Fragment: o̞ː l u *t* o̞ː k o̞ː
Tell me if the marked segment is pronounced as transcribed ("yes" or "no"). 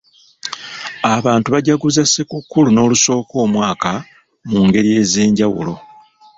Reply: no